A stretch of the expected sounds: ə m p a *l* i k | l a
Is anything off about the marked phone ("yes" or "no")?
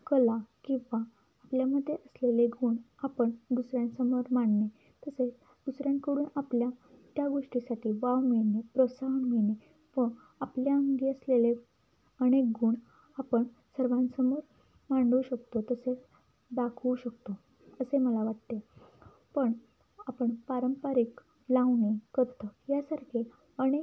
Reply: yes